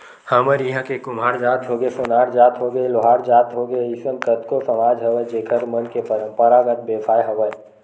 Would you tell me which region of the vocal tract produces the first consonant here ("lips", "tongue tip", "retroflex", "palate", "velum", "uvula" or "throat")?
throat